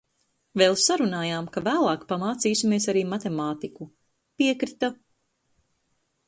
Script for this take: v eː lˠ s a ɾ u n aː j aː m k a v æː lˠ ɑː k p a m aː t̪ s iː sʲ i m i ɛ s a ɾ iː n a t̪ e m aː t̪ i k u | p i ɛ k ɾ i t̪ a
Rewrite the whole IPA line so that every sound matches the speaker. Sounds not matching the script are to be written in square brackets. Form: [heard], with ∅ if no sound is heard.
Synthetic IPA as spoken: v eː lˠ s a ɾ u n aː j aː m k a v æː lˠ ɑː k p a m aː t̪ s iː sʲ i m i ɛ s a ɾ iː [m] a t̪ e m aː t̪ i k u | p i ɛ k ɾ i t̪ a